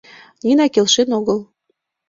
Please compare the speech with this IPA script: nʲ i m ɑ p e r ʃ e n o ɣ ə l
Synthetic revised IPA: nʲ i n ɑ k e l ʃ e n o ɣ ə l